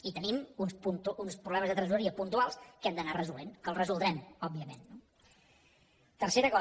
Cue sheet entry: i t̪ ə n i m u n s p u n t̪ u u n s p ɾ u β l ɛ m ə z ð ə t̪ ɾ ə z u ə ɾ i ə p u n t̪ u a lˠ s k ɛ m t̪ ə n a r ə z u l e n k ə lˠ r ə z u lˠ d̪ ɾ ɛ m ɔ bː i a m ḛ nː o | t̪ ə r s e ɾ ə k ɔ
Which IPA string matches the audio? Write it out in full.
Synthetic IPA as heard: i t̪ ə n i m u n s p u n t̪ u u n s p ɾ u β l ɛ m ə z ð ə t̪ ɾ ə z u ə ɾ i ə p u n t̪ u a lˠ s k ɛ m d̪ ə n a r ə z u l e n k ə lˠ r ə z u lˠ d̪ ɾ ɛ m ɔ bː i ə m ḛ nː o | t̪ ə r s e ɾ ə k ɔ